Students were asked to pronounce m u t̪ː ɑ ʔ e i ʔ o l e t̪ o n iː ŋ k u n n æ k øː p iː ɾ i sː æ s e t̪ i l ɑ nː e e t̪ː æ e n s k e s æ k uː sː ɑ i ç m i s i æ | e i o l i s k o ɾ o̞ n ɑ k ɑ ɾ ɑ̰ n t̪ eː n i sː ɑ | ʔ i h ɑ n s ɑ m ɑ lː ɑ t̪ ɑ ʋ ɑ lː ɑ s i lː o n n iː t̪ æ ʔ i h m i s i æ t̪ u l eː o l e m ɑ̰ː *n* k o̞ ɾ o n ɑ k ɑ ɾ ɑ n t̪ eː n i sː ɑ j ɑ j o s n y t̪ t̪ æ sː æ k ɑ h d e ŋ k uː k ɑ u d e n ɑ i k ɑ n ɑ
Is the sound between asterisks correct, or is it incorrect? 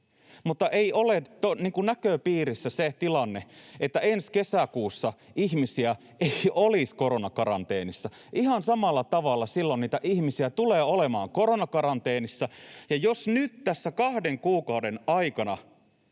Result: incorrect